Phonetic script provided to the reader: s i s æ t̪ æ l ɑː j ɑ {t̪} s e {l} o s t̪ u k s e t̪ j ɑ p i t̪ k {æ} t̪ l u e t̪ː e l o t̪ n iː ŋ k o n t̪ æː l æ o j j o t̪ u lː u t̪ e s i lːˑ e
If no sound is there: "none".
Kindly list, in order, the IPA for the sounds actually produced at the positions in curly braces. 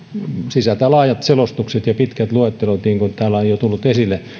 t̪, l, æ

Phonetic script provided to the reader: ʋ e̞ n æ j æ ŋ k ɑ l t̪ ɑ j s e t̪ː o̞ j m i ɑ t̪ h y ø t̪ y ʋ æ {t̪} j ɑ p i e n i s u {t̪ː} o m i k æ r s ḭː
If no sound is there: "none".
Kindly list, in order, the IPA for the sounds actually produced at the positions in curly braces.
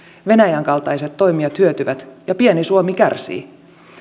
t̪, none

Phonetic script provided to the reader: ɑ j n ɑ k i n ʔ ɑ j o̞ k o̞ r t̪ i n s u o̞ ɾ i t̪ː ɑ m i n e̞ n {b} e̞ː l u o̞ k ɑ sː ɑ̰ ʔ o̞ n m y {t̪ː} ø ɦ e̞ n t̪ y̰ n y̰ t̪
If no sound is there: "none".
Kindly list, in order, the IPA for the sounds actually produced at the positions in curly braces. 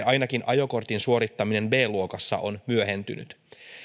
b, none

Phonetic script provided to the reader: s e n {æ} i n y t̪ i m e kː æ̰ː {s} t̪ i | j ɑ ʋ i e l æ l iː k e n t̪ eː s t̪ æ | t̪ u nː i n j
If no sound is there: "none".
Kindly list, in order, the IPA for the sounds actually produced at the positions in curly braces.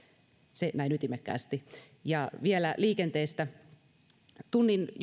æ, s

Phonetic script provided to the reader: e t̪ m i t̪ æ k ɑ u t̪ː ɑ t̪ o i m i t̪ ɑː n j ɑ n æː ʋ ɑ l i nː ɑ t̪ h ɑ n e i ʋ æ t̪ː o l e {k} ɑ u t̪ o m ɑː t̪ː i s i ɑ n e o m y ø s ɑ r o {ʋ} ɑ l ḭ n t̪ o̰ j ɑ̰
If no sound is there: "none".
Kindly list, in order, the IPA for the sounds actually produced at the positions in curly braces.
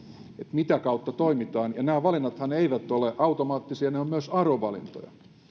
ʔ, ʋ

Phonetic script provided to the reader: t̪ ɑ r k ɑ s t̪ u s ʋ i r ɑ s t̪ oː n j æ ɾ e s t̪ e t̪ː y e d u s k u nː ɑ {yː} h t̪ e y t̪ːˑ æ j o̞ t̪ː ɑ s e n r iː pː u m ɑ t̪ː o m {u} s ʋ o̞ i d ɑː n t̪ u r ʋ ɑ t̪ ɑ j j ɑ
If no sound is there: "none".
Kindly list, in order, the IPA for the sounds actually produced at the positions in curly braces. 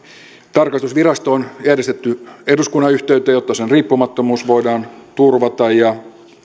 y, uː

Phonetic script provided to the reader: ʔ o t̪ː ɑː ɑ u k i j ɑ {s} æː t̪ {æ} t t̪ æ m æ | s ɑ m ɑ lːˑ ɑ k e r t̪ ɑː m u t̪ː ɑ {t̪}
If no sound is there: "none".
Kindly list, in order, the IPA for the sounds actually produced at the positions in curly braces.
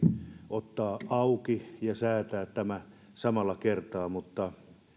s, æː, none

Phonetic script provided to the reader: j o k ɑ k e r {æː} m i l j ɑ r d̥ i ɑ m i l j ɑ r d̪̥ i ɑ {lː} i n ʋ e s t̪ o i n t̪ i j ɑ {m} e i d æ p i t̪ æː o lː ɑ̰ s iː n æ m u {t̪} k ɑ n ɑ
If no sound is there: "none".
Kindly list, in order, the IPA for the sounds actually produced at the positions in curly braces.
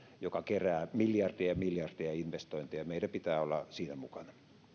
æː, none, m, none

